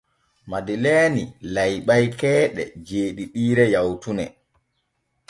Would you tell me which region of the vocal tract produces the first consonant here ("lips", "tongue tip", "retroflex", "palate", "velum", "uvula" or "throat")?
lips